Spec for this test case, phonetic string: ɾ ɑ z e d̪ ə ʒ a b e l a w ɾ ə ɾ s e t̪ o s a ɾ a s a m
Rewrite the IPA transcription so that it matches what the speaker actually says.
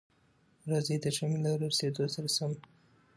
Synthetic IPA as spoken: ɾ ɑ z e d̪ ə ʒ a m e l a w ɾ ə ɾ s e d̪ o s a ɾ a s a m